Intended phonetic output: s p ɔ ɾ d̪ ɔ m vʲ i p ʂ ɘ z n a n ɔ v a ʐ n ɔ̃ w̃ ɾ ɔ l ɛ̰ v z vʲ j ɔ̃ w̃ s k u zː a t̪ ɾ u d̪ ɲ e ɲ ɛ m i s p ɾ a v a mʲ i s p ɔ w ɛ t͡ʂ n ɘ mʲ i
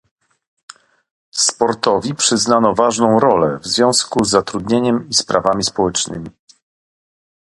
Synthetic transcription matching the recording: s p ɔ ɾ t̪ ɔ vʲ i p ʂ ɘ z n a n ɔ v a ʐ n ɔ̃ w̃ ɾ ɔ l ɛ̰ v z vʲ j ɔ̃ w̃ s k u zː a t̪ ɾ u d̪ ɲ e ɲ ɛ m i s p ɾ a v a mʲ i s p ɔ w ɛ t͡ʂ n ɘ mʲ i